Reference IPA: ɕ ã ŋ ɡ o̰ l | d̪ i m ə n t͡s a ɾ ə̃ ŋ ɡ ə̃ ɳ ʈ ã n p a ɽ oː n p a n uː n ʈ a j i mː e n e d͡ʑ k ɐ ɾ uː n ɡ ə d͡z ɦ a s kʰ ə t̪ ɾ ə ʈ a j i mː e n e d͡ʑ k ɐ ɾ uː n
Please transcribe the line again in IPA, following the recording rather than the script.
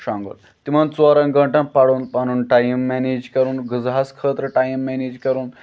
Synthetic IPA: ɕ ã ŋ ɡ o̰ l | t̪ i m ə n t͡s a ɾ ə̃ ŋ ɡ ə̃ ɳ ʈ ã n p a ɽ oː n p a n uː n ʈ a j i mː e n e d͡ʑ k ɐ ɾ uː n ɡ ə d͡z ɦ a s kʰ ə t̪ ɾ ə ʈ a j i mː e n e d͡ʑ k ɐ ɾ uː n